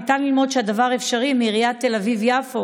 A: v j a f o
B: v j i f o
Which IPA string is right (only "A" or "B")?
A